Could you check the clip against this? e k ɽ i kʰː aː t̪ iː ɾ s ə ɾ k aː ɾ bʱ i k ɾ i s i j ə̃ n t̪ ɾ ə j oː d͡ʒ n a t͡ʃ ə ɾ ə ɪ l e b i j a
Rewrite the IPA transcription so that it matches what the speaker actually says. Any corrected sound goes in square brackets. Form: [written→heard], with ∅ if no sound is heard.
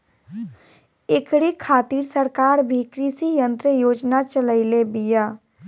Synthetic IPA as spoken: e k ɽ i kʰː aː t̪ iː ɾ s ə ɾ k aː ɾ bʱ i k ɾ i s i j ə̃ n t̪ ɾ ə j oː d͡ʒ n a t͡ʃ ə [ɾ→l] ə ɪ l e b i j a